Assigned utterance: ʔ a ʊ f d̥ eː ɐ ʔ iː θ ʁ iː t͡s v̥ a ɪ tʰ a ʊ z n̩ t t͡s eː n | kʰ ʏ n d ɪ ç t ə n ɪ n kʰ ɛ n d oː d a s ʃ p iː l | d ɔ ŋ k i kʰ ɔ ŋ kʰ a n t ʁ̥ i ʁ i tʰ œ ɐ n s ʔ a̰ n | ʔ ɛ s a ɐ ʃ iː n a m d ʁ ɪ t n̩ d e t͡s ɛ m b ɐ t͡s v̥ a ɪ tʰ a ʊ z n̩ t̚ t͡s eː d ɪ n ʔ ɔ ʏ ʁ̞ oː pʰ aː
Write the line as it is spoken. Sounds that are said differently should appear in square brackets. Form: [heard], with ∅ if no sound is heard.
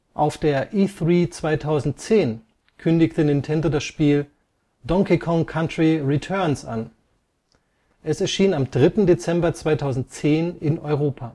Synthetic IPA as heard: ʔ a ʊ f d̥ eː ɐ ʔ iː θ ʁ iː t͡s v̥ a ɪ tʰ a ʊ z n̩ t t͡s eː n | kʰ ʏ n d ɪ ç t ə n ɪ n [tʰ] ɛ n d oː d a s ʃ p iː l | d ɔ ŋ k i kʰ ɔ ŋ kʰ a n t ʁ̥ i ʁ i tʰ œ ɐ n s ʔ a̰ n | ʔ ɛ s [ɛ] ɐ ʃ iː n a m d ʁ ɪ t n̩ d e t͡s ɛ m b ɐ t͡s v̥ a ɪ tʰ a ʊ z n̩ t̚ t͡s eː [n] ɪ n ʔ ɔ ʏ ʁ̞ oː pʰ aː